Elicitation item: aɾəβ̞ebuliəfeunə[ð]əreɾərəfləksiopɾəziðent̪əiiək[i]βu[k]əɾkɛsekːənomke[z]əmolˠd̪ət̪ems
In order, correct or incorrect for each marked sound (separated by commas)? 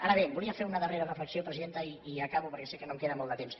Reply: correct, incorrect, incorrect, incorrect